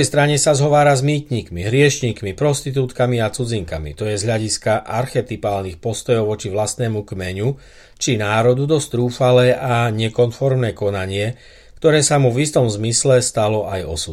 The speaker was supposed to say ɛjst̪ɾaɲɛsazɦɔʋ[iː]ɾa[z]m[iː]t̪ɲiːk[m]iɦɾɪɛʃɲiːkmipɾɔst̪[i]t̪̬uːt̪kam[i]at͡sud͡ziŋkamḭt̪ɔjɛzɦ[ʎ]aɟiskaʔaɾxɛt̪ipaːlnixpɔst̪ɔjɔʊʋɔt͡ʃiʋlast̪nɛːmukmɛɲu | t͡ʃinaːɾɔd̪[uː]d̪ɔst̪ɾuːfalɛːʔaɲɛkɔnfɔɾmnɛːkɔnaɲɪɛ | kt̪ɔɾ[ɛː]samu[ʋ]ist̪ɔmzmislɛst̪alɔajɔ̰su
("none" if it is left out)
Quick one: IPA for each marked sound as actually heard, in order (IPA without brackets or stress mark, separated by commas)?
aː, z, iː, m, i, i, ʎ, u, ɛː, v